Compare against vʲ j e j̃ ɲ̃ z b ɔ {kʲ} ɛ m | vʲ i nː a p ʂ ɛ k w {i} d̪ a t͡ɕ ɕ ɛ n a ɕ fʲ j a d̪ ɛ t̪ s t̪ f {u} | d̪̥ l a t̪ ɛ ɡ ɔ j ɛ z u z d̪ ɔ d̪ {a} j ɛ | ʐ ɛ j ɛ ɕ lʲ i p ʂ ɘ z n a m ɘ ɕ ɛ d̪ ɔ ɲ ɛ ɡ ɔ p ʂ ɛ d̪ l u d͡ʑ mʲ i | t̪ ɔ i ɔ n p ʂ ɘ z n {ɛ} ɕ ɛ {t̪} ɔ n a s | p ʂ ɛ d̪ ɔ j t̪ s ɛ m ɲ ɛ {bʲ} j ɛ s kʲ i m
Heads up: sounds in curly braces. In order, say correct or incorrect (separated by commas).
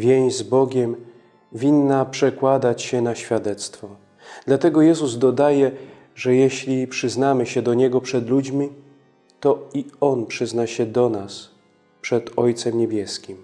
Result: incorrect, incorrect, incorrect, correct, incorrect, incorrect, correct